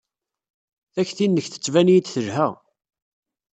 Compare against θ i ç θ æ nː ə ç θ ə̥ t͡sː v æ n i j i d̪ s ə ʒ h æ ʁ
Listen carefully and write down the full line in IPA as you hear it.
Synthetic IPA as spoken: θ æ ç θ i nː ə ç θ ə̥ t͡sː v æ n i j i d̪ θ ə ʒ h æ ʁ